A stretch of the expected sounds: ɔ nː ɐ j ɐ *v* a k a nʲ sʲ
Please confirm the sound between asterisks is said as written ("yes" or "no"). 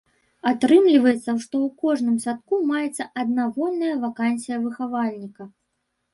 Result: yes